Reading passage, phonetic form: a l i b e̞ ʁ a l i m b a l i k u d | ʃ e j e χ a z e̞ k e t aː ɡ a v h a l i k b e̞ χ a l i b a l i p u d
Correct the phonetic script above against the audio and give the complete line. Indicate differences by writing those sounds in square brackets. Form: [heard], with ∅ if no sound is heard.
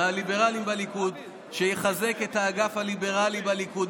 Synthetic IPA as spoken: a l i b e̞ ʁ a l i m b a l i k u d | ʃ e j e χ a z e̞ k e t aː ɡ a [f] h a l i [∅] b e̞ [ʁ] a l i b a l i [k] u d